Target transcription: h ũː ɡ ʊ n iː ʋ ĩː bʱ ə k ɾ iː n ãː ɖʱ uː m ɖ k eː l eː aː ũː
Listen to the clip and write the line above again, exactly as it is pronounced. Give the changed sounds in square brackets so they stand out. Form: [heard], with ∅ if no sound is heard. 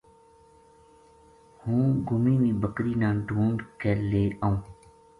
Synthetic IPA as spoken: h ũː ɡ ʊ [m] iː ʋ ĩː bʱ ə k ɾ iː n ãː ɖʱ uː [ɳ] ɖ k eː l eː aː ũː